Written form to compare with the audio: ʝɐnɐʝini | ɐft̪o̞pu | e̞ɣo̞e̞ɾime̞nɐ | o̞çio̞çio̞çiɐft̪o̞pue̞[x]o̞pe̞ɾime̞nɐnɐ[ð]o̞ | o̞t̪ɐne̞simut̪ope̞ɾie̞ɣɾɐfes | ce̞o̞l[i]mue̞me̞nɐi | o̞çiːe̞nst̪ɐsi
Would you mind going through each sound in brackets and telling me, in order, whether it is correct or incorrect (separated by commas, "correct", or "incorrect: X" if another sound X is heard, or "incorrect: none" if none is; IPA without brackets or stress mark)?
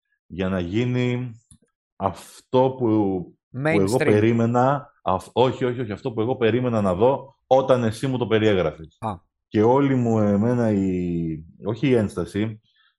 incorrect: ɣ, correct, correct